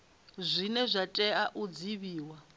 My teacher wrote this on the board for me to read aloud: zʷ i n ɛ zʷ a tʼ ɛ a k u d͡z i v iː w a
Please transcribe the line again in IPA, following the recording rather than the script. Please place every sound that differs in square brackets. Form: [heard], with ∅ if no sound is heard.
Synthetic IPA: zʷ i n ɛ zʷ a tʼ ɛ a [ʔ] u d͡z i [β] iː w a